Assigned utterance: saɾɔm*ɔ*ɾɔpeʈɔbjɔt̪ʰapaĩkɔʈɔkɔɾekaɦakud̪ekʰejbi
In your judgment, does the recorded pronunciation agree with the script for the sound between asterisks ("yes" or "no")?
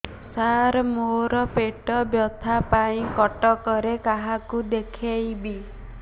no